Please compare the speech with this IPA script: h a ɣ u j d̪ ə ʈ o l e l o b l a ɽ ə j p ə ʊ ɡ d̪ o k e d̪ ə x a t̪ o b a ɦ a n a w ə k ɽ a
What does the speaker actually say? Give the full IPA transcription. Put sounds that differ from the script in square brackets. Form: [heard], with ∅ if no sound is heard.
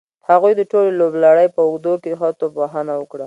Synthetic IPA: h a ɣ u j d̪ ə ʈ o l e l o b l a ɽ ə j p ə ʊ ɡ d̪ o k e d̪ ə x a t̪ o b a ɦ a n a w ə k ɽ a